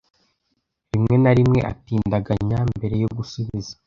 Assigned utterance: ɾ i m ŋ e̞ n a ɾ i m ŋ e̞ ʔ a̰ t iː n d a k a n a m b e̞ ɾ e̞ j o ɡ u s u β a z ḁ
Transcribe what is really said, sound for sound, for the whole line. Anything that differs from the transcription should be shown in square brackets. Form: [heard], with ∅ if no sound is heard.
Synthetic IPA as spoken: ɾ i m ŋ e̞ n a ɾ i m ŋ e̞ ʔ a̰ t iː n d a [ɡ] a [ɲ] a m b e̞ ɾ e̞ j o ɡ u s u β [i] z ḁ